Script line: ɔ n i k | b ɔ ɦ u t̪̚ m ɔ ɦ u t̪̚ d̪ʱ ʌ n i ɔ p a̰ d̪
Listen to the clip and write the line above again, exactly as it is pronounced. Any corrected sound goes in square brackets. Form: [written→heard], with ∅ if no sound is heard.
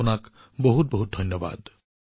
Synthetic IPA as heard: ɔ n [i→a] k | b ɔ ɦ u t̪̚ [m→b] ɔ ɦ u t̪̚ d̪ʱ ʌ n [i→j] ɔ [p→b] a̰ d̪